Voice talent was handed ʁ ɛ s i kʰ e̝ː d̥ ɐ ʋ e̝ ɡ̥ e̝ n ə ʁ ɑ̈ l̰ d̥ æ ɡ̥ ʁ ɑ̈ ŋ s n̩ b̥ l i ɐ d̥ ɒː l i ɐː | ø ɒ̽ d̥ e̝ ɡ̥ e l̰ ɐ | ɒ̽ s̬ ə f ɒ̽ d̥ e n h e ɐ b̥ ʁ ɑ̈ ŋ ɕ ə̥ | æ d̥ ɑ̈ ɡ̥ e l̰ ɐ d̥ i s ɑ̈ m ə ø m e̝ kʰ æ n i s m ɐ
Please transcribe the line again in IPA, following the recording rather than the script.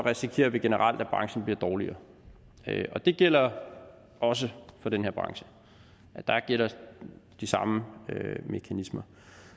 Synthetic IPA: ʁ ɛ s i kʰ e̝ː ɐ ʋ e̝ ɡ̥ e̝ n ə ʁ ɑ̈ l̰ d̥ æ b̥ ʁ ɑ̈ ŋ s n̩ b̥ l i ɐ d̥ ɒː l i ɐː | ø ɒ̽ d̥ e̝ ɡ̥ e l̰ ɐ | ɒ̽ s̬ ə f ɒ̽ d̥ e n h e ɐ b̥ ʁ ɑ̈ ŋ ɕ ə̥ | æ d̥ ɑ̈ ɡ̥ e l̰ ɐ d̥ i s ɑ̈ m ə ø m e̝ kʰ æ n i s m ɐ